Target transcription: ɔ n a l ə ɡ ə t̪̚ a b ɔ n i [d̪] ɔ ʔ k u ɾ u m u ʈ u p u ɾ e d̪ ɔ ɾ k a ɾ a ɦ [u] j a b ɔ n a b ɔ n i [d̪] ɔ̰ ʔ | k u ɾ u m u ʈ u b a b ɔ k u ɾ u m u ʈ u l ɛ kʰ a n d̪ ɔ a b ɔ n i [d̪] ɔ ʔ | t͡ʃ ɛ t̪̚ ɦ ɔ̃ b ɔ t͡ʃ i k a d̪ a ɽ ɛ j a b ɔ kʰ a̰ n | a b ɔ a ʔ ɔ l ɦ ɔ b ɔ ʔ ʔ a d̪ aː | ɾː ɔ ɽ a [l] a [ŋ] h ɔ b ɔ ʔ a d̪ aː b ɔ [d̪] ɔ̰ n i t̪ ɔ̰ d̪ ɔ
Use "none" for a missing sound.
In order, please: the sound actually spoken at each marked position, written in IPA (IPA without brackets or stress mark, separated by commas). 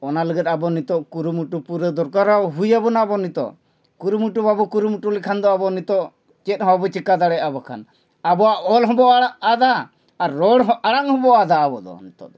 t̪, u, t̪, t̪, ɽ, ŋ, d̪